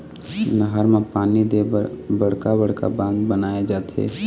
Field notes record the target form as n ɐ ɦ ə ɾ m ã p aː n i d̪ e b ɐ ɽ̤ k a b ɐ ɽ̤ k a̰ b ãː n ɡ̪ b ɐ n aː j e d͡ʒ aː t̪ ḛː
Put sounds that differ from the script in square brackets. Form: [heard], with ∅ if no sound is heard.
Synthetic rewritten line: n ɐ ɦ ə ɾ m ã p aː n i d̪ e b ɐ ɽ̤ k a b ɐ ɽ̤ k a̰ b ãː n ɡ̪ b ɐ n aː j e d͡ʒ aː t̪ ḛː